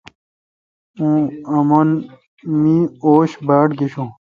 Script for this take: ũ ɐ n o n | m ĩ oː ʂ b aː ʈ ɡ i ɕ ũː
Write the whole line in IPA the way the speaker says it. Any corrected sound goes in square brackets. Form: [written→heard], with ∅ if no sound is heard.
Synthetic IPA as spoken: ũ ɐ [n→m] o n | m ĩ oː [ʂ→ɕ] b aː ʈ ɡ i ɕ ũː

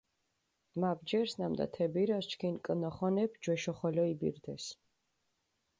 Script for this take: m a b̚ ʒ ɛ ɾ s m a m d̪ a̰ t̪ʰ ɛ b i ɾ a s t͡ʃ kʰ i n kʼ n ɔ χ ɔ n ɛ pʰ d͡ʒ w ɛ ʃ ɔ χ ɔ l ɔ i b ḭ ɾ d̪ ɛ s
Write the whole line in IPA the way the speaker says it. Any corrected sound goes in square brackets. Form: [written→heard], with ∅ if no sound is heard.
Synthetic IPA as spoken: m a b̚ [ʒ→d͡ʒ] ɛ ɾ s [m→n] a m d̪ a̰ t̪ʰ ɛ b i ɾ a s t͡ʃ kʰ i n kʼ n ɔ χ ɔ n ɛ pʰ d͡ʒ w ɛ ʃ ɔ χ ɔ l ɔ i b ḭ ɾ d̪ ɛ s

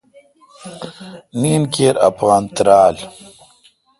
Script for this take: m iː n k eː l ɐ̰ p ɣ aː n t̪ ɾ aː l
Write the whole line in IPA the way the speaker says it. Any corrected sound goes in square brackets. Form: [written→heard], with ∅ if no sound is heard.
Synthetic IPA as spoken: [m→n] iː n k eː [l→ɾ] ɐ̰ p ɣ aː n t̪ ɾ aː l

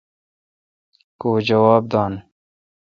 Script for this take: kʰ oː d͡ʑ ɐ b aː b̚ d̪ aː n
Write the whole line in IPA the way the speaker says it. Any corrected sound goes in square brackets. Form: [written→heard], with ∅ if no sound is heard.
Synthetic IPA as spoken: [kʰ→k] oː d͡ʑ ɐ [b→w] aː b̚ d̪ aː n

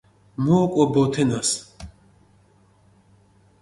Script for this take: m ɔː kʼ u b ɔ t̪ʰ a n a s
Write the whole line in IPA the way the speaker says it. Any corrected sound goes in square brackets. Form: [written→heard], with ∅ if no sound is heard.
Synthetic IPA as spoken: m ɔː kʼ [u→ɔ] b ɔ t̪ʰ [a→ɛ] n a s

